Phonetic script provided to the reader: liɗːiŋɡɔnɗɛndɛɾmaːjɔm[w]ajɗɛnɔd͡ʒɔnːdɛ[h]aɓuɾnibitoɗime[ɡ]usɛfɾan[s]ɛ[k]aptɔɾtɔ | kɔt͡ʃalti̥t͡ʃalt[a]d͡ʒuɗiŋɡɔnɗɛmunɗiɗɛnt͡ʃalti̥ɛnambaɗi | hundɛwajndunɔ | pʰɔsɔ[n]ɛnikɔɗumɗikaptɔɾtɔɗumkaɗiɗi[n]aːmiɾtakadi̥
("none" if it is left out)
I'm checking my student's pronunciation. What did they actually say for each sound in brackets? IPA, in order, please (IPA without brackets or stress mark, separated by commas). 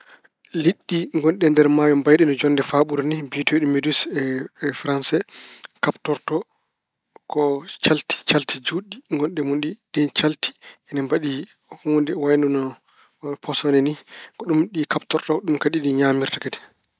b, f, d, s, k, i, n, ɲ